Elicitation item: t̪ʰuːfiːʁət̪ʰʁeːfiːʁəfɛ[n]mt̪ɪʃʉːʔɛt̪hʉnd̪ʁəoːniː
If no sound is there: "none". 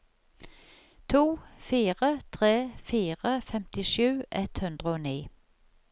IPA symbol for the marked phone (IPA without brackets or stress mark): none